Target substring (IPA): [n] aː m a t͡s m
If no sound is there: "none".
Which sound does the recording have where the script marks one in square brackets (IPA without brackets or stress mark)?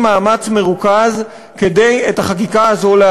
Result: m